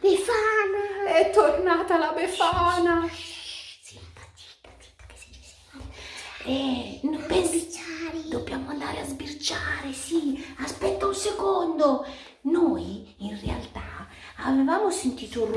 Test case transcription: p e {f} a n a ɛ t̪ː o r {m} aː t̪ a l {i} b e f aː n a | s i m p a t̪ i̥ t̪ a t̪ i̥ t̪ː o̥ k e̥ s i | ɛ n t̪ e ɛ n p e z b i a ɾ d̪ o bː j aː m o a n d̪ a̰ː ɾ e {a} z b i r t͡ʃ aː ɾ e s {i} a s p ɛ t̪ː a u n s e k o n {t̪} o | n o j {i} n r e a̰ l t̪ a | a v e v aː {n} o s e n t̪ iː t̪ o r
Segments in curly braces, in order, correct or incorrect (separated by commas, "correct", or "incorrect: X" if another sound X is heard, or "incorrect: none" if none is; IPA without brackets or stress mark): correct, incorrect: n, incorrect: a, correct, correct, incorrect: d̪, correct, incorrect: m